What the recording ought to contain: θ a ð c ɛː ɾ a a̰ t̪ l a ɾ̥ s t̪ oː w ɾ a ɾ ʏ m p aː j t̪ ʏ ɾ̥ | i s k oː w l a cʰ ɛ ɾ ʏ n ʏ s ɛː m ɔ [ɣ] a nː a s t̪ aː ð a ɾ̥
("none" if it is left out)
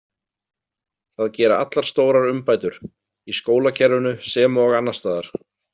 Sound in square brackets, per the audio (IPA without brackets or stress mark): ɣ